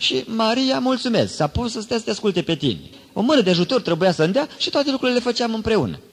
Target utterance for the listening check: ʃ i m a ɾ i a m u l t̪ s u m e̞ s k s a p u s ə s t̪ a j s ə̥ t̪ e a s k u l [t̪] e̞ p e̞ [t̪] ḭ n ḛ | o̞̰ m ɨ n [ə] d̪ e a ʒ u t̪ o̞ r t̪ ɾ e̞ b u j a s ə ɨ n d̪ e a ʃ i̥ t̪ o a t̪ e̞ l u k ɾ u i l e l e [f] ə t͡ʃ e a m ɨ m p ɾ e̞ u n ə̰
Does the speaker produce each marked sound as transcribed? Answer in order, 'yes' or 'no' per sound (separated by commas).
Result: yes, yes, yes, yes